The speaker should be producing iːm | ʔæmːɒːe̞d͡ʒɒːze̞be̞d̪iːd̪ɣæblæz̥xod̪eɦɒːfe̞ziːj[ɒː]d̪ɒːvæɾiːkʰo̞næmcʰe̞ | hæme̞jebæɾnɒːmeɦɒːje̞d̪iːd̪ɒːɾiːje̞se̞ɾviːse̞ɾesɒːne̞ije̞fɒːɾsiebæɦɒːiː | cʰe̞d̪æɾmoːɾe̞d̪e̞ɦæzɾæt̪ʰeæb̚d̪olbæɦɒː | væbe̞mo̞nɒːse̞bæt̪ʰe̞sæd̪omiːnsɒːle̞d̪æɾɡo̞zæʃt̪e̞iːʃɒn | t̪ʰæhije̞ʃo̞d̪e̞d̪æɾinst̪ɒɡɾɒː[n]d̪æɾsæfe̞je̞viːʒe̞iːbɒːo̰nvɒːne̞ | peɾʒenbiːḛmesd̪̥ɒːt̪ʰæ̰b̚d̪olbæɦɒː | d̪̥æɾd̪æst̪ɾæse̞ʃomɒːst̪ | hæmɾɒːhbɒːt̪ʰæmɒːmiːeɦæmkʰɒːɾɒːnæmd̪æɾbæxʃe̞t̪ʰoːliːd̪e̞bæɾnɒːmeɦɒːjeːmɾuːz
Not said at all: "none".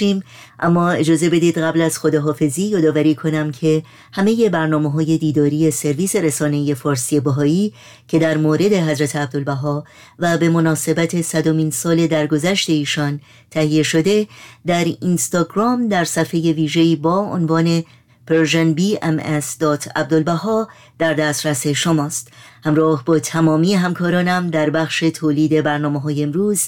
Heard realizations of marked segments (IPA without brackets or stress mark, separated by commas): ɒː, m